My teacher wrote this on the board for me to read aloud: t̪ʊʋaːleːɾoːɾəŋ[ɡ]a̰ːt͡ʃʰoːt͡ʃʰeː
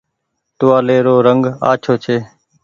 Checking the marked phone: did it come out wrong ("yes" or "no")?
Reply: no